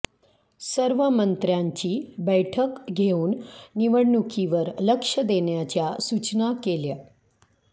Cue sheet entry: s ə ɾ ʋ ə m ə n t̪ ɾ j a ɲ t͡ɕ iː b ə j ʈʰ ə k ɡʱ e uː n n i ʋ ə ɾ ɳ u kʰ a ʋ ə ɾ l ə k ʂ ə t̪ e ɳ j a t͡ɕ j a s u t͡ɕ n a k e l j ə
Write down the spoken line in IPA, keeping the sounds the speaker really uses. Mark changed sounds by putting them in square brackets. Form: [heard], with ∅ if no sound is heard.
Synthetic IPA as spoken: s ə ɾ ʋ ə m ə n t̪ ɾ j a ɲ t͡ɕ iː b ə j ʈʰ ə k ɡʱ e uː n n i ʋ ə [ɽ] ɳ u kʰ [i] ʋ ə ɾ l ə k ʂ ə [d̪] e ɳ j a t͡ɕ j a s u t͡ɕ n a k e l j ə